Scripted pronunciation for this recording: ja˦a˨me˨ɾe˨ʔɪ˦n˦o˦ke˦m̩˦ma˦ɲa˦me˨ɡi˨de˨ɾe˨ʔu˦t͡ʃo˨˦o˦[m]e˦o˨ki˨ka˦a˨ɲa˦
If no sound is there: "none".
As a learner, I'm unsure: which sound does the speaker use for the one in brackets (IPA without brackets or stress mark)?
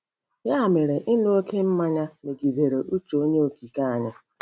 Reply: ɲ